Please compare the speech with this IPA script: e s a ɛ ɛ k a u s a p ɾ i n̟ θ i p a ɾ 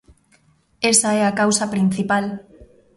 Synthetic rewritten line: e s a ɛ a k a w s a p ɾ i n̟ θ i p a l